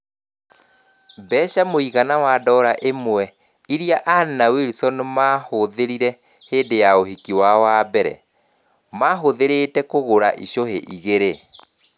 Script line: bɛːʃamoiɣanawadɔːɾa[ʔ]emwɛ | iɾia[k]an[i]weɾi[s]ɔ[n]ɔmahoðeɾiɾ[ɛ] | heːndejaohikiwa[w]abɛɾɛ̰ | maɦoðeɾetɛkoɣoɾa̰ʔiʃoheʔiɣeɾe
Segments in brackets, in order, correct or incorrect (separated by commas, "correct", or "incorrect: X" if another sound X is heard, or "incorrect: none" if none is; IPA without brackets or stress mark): correct, incorrect: ʔ, incorrect: a, correct, correct, correct, correct